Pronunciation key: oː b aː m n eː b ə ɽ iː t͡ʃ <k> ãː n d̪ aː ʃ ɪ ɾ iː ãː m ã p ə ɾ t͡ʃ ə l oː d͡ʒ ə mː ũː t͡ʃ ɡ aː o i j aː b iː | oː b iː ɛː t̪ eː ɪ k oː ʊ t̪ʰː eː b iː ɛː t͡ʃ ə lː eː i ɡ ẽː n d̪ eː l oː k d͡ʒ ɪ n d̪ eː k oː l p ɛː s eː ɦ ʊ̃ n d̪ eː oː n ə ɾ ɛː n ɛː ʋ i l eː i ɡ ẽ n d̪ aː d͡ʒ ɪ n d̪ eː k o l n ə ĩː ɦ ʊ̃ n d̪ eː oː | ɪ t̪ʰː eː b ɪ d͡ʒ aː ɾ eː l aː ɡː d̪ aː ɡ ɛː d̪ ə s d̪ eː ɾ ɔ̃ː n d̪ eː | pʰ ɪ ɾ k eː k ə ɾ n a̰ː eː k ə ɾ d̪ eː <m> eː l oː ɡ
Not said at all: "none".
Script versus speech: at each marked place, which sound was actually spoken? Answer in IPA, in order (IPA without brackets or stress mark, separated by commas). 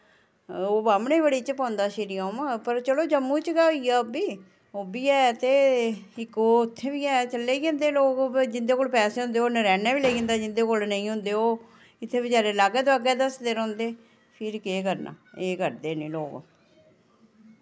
p, n